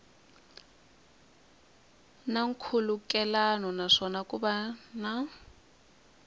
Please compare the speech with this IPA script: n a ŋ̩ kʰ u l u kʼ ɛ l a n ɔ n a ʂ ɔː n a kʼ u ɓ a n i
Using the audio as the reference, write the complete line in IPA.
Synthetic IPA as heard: n a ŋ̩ kʰ u l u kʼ ɛ l a n ɔ n a ʂ ɔ n a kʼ u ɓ a n a